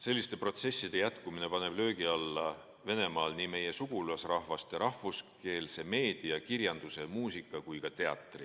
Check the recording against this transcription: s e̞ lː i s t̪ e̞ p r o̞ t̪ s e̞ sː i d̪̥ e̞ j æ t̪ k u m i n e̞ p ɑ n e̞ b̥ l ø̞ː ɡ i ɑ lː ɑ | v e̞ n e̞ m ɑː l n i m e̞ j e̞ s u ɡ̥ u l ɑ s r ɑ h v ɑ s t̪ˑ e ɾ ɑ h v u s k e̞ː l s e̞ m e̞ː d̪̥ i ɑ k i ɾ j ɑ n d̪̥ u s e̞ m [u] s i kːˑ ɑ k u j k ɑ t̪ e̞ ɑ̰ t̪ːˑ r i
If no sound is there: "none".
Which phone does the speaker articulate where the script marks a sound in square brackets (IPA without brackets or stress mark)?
uː